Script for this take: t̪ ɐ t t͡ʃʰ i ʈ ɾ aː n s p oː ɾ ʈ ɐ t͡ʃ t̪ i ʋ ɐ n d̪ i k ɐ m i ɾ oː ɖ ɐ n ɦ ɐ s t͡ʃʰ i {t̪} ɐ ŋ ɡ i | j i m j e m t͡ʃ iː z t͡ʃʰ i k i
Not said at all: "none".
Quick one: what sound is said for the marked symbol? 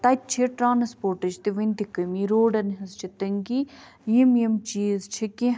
t̪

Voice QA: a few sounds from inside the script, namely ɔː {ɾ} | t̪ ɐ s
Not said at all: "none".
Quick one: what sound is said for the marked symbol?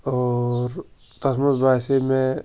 ɾ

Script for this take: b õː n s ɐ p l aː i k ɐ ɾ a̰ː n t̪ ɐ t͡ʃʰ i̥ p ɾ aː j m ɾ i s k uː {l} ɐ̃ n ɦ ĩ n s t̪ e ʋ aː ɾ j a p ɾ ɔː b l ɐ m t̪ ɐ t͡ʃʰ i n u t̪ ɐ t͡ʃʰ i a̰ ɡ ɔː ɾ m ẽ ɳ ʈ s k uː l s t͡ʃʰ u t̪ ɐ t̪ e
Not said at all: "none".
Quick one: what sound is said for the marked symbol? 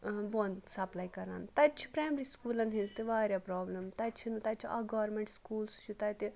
l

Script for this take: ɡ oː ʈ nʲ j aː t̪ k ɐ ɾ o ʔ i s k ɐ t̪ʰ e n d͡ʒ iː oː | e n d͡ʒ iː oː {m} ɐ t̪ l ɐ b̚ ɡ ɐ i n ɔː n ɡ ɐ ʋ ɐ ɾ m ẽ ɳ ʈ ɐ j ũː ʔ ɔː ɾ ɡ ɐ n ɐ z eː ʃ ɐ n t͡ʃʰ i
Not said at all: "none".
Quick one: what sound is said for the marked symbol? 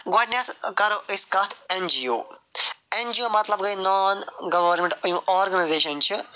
m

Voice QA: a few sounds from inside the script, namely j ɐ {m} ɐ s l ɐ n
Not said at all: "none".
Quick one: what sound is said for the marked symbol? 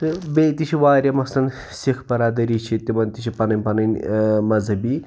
m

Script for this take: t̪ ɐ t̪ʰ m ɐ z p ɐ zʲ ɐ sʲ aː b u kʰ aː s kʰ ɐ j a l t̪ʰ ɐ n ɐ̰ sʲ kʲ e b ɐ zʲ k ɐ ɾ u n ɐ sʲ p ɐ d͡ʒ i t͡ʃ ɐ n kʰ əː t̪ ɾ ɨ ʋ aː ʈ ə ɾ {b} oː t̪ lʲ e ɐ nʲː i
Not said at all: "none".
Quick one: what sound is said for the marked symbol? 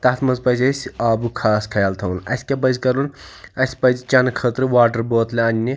b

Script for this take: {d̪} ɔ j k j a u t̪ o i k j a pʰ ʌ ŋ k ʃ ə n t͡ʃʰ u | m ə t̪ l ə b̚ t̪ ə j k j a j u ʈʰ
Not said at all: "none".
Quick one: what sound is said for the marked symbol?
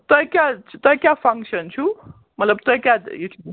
t̪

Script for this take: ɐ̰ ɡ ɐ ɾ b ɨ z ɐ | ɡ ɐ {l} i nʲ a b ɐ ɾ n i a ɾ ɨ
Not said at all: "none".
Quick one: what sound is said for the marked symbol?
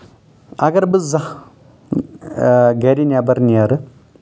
ɾ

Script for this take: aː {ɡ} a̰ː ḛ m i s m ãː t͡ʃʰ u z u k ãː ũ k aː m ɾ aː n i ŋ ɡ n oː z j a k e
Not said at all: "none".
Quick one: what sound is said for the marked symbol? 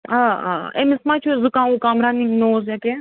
none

